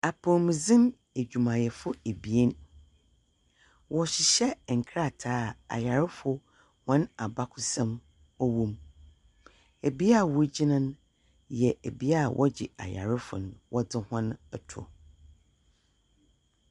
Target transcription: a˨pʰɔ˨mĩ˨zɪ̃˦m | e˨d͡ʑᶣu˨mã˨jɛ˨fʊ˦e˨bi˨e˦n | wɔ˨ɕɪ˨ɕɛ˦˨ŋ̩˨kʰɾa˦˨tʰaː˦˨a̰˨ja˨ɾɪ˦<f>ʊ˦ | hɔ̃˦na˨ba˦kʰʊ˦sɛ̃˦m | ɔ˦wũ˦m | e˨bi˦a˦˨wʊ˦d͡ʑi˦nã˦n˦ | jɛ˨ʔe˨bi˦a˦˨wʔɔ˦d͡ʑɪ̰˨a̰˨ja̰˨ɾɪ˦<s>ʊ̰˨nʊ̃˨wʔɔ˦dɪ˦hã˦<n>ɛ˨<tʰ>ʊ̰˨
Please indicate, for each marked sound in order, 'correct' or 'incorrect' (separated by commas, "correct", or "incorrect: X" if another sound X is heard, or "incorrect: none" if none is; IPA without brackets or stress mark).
correct, incorrect: f, correct, correct